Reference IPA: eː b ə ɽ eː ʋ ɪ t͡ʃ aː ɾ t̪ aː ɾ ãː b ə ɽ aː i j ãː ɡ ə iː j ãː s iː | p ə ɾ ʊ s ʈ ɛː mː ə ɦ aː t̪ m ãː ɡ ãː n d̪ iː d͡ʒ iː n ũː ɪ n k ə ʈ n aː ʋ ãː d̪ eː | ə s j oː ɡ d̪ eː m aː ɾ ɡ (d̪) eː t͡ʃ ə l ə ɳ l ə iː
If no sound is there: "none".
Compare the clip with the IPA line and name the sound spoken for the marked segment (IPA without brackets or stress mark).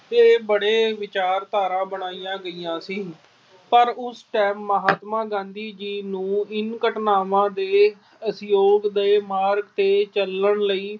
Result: t̪